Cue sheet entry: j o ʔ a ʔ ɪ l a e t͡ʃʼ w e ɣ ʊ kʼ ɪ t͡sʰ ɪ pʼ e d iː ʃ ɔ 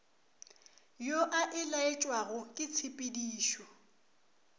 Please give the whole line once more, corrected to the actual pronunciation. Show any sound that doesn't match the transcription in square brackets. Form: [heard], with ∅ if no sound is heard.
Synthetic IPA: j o ʔ a ʔ ɪ l a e t͡ʃʼ w [a] ɣ ʊ kʼ ɪ t͡sʰ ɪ pʼ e d iː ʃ ɔ

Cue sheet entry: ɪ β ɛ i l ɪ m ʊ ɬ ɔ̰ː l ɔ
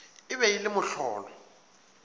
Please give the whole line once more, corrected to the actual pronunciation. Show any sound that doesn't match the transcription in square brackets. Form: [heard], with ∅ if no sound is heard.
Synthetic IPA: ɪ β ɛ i l ɪ m ʊ ɬ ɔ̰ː l ɔ

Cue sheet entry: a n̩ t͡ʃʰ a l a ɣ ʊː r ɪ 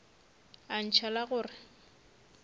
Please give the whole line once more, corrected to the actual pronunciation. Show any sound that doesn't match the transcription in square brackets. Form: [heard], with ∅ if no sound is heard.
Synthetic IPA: a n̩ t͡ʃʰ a l a ɣ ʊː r ɪ

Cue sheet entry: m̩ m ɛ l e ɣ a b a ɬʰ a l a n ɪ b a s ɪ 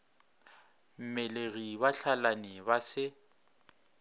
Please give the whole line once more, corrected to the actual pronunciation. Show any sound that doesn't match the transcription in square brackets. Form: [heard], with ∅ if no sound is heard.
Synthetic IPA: m̩ m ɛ l e ɣ [i] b a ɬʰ a l a n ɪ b a s ɪ

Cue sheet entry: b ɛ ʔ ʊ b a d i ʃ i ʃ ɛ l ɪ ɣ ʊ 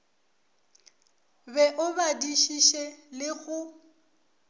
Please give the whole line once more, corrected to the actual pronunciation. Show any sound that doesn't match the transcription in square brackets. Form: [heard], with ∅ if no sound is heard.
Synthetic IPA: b ɛ ʔ ʊ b a d i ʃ i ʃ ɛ l ɪ ɣ ʊ

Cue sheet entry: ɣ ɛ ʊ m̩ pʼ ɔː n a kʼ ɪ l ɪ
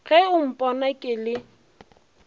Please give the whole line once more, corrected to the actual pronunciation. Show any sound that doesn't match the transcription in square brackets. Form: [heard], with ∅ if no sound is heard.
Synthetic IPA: ɣ ɛ ʊ m̩ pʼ [ɔ] n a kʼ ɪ l ɪ

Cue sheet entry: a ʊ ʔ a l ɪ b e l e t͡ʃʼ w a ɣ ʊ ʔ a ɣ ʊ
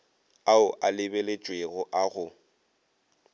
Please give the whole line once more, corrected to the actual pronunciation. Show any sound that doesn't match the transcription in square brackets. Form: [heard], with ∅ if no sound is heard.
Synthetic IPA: a ʊ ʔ a l ɪ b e l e t͡ʃʼ w [e] ɣ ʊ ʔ a ɣ ʊ

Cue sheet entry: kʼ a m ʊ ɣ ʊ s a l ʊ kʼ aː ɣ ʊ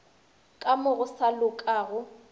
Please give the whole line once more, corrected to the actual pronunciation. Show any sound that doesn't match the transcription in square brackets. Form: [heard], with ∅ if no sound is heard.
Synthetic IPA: kʼ a m ʊ ɣ ʊ s a l ʊ kʼ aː ɣ ʊ

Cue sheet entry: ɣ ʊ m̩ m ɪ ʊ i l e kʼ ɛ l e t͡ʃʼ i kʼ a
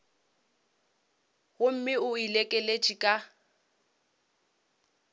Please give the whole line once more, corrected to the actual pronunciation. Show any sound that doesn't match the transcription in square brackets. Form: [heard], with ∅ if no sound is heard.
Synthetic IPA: ɣ ʊ m̩ m ɪ ʊ i l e kʼ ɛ l e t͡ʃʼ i kʼ a

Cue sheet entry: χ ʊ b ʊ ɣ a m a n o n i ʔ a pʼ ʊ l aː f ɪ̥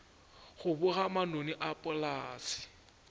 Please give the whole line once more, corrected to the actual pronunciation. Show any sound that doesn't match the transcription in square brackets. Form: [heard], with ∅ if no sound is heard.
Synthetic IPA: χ ʊ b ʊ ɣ a m a n o n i ʔ a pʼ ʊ l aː [s] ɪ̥

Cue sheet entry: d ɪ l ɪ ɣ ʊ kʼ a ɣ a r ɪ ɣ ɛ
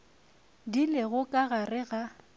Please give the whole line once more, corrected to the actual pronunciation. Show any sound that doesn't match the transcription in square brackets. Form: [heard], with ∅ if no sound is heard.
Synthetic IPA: d [i] l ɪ ɣ ʊ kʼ a ɣ a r ɪ ɣ [a]

